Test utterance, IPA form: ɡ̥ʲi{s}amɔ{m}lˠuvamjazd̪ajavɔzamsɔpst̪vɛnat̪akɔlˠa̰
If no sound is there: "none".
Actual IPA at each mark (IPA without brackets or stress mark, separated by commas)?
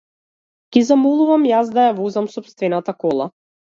z, none